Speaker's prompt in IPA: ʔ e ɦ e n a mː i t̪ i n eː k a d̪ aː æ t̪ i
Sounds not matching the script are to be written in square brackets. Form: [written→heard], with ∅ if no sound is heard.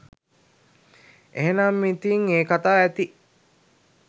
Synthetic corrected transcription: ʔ e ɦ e n a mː i t̪ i [n→ŋ] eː k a [d̪→t̪] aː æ t̪ i

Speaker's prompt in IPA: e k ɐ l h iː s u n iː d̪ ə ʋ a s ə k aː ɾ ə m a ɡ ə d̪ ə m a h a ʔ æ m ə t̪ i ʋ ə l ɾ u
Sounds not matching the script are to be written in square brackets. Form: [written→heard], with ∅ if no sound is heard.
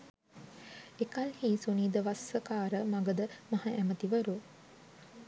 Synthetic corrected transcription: e k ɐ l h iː s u n iː d̪ ə ʋ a s ə k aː ɾ ə m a ɡ ə d̪ ə m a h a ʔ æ m ə t̪ i ʋ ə [l→∅] ɾ u

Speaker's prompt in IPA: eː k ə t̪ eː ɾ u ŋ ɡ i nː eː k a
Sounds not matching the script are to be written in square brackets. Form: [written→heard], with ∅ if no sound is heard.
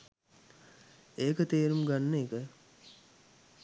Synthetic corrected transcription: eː k ə t̪ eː ɾ u [ŋ→m] ɡ [i→a] nː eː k [a→ə]

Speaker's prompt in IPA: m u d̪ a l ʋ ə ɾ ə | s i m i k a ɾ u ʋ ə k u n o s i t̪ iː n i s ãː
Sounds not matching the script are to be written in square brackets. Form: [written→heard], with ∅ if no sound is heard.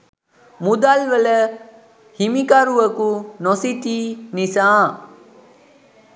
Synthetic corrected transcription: m u d̪ a l ʋ ə [ɾ→l] ə | [s→h] i m i k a ɾ u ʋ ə k u n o s i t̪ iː n i s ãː

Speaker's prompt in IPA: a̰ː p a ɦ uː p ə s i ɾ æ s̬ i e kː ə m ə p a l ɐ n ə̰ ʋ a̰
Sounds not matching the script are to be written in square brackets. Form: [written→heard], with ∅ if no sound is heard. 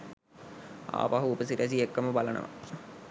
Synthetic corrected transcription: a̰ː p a ɦ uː p ə s i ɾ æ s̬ i e kː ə m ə [p→b] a l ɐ n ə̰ ʋ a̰

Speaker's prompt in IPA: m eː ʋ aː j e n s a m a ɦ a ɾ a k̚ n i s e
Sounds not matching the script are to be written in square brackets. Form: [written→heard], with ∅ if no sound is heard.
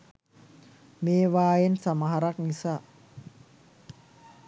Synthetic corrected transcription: m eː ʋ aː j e n s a m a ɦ a ɾ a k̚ n i s [e→a]

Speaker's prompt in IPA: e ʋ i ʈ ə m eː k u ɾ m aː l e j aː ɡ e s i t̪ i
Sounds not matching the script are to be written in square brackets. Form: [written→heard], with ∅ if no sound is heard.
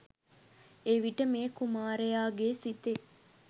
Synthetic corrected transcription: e ʋ i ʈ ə m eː k u [ɾ→∅] m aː [l→ɾ] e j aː ɡ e s i t̪ [i→e]

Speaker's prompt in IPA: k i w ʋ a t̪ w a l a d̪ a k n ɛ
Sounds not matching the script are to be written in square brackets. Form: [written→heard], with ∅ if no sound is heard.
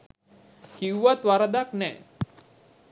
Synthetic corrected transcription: k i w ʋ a t̪ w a [l→ɾ] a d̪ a k n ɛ

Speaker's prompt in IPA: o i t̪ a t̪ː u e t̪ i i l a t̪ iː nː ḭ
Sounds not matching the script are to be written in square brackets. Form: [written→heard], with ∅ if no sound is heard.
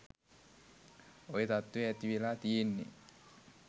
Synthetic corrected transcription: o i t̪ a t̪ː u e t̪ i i l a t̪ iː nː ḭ

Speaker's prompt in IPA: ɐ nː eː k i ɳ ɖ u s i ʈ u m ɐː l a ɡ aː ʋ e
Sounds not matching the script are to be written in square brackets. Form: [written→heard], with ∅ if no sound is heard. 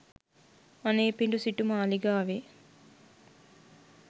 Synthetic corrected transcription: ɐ [nː→n] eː [k→p] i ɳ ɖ u s i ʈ u m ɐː l [a→i] ɡ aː ʋ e

